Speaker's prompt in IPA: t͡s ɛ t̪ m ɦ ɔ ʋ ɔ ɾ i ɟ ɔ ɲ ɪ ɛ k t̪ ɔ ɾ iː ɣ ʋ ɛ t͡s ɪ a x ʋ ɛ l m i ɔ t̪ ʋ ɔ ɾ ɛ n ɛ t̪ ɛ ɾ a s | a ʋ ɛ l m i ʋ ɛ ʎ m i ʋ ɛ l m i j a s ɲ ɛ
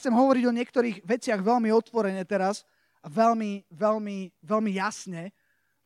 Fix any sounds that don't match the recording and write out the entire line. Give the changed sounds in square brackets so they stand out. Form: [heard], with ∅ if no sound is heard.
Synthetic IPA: t͡s ɛ [∅] m ɦ ɔ ʋ ɔ ɾ i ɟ ɔ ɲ ɪ ɛ k t̪ ɔ ɾ iː ɣ ʋ ɛ t͡s ɪ a [ɣ] ʋ ɛ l m i ɔ t̪ ʋ ɔ ɾ ɛ [ɲ] ɛ t̪ ɛ ɾ a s | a ʋ ɛ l m i ʋ ɛ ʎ m i ʋ ɛ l m i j a s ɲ ɛ